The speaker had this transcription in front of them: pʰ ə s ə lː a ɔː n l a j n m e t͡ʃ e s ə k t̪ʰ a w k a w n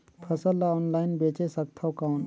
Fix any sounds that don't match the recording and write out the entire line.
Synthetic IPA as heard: pʰ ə s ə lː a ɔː n l a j n b e t͡ʃ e s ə k t̪ʰ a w k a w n